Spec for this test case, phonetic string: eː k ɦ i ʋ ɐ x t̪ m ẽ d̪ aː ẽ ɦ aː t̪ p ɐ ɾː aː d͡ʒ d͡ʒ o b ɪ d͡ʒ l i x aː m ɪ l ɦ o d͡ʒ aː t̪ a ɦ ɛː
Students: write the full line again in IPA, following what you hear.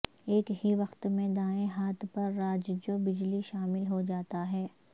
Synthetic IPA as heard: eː k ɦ i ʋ ɐ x t̪ m ẽ d̪ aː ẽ ɦ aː t̪ p ɐ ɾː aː d͡ʒ d͡ʒ o b ɪ d͡ʒ l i ʃ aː m ɪ l ɦ o d͡ʒ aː t̪ a ɦ ɛː